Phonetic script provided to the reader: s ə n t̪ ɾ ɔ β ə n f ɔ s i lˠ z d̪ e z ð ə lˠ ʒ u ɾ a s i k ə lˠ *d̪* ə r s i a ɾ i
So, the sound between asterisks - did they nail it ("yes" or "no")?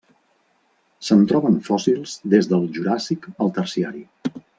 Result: no